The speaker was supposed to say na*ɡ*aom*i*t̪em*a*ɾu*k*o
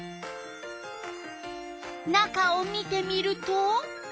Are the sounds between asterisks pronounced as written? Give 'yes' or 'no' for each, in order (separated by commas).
no, yes, no, no